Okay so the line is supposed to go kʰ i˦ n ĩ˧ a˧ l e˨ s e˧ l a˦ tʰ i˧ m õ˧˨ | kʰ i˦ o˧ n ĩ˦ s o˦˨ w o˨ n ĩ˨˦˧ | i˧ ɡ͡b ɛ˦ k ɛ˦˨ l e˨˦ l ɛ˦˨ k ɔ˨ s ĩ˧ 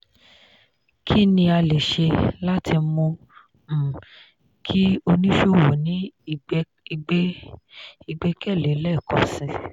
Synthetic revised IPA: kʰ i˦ n ĩ˧ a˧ l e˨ ʃ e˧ l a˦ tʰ i˧ m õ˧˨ | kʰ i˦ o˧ n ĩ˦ ʃ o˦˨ w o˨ n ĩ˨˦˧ | i˧ ɡ͡b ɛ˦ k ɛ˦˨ l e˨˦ l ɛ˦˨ k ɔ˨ s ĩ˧